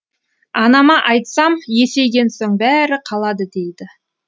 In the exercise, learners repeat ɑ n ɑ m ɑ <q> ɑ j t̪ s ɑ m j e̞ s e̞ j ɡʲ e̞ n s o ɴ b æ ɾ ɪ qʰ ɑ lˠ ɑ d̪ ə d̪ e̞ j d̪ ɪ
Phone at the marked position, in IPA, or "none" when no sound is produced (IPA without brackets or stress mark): ʔ